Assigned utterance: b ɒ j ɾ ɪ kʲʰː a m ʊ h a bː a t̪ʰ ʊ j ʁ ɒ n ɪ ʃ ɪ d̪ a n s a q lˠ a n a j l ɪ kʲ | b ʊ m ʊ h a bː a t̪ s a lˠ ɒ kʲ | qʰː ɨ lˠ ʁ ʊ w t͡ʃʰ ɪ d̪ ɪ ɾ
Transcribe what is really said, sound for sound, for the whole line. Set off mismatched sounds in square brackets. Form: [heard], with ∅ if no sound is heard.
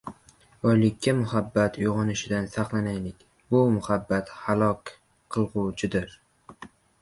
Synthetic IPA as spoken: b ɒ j [l] ɪ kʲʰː a m ʊ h a bː a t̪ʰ ʊ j ʁ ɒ n ɪ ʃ ɪ d̪ a n s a q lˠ a n a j l ɪ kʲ | b ʊ m ʊ h a bː a t̪ [h] a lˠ ɒ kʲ | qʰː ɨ lˠ ʁ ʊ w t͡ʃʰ ɪ d̪ ɪ ɾ